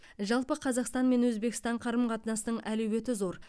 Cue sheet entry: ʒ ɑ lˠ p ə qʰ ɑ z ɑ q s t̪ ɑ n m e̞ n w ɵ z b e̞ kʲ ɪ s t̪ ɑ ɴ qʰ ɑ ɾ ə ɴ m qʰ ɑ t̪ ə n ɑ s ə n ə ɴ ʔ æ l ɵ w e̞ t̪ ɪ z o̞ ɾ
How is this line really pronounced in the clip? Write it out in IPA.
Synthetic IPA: ʒ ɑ lˠ p ə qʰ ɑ z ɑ q s t̪ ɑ n m e̞ n w ɵ z b e̞ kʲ ɪ s t̪ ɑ ɴ qʰ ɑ ɾ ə m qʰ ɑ t̪ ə n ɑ s ə n ə ɴ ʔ æ l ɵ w e̞ t̪ ɪ z o̞ ɾ